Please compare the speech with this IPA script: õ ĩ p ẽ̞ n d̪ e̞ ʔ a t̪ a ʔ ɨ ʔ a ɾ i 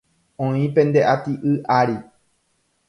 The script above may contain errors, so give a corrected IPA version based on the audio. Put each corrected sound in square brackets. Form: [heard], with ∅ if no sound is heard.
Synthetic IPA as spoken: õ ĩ p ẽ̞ n d̪ e̞ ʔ a t̪ [i] ʔ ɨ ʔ a ɾ i